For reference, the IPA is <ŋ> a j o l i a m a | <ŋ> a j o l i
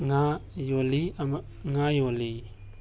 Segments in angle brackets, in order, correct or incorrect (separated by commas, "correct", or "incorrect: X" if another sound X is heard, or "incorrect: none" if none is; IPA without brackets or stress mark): correct, correct